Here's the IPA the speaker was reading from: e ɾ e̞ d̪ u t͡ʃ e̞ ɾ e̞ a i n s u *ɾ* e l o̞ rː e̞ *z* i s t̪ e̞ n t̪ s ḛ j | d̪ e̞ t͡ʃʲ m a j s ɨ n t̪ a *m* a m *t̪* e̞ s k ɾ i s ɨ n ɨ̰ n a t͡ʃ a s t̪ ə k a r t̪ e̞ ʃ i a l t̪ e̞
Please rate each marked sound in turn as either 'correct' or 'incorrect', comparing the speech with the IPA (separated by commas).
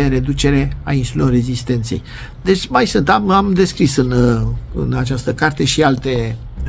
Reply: incorrect, correct, correct, incorrect